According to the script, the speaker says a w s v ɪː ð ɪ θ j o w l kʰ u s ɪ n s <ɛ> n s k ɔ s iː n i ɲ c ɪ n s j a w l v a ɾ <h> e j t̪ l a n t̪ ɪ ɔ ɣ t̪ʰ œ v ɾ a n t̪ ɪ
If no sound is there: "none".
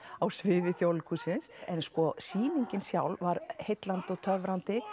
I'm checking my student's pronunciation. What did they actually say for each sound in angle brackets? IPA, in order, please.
ɛ, h

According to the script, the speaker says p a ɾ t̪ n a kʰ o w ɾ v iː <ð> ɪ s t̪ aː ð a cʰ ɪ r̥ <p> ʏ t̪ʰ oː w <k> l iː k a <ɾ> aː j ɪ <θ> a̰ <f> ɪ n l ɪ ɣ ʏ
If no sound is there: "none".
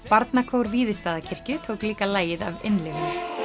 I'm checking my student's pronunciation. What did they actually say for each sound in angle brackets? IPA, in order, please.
ð, c, k, l, ð, v

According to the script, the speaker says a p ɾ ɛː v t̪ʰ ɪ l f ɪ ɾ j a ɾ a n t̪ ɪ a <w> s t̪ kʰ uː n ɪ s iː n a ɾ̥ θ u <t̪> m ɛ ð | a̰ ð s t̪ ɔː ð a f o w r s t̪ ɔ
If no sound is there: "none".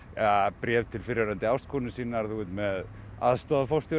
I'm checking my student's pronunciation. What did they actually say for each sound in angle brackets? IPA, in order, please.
w, t̪

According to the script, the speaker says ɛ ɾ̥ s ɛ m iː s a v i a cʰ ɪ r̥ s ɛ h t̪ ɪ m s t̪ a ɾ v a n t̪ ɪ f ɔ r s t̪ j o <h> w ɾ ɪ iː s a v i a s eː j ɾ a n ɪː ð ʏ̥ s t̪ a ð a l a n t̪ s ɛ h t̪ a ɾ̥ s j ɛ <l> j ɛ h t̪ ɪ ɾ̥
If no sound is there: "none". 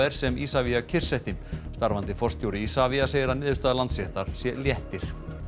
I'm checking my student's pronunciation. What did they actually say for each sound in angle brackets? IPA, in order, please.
none, l

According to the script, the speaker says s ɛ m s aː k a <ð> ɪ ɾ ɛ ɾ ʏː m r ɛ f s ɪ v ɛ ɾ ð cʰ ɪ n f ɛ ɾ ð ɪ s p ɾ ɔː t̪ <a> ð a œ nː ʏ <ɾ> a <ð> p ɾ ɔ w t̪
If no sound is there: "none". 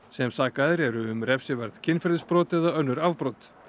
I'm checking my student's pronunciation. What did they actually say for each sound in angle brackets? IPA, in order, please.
ð, ɛ, ɾ, v

